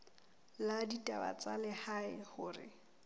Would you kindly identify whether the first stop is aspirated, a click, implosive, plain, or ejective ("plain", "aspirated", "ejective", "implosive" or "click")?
plain